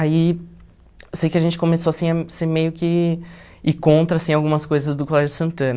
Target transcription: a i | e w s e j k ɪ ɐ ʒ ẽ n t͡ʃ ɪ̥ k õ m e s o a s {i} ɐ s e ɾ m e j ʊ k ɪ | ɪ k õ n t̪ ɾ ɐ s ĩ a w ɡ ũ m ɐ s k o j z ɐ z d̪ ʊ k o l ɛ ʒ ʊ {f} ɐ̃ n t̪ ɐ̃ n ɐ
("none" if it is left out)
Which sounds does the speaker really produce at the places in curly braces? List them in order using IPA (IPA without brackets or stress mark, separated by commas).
ĩ, s